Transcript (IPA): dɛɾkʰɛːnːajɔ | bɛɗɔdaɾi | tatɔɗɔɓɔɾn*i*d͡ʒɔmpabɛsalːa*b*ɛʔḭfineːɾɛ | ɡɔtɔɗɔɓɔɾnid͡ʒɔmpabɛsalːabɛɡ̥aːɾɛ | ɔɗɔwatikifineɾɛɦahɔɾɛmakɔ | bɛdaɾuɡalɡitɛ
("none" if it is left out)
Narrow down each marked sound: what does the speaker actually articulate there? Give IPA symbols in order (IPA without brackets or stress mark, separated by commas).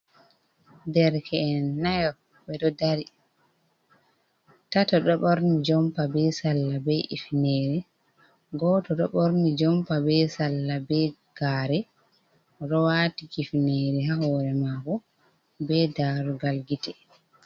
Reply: i, b